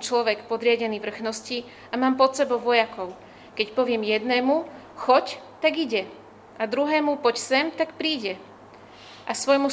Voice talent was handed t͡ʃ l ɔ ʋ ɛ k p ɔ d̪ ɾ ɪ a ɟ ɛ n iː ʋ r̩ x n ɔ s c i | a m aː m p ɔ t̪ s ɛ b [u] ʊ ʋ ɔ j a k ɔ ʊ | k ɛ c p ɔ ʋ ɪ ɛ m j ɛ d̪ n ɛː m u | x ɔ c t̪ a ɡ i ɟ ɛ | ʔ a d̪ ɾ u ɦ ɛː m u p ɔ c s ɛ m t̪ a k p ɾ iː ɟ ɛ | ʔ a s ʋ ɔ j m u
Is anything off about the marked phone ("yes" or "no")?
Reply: yes